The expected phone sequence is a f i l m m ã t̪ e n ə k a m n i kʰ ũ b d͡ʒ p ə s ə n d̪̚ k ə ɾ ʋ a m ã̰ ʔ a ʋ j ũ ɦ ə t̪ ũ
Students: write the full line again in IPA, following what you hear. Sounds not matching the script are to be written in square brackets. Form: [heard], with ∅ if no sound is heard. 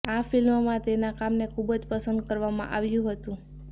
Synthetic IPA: a f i l m m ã t̪ e n [a] k a m n [e] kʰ [u] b d͡ʒ p ə s ə n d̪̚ k ə ɾ ʋ a m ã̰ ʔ a ʋ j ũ ɦ ə t̪ ũ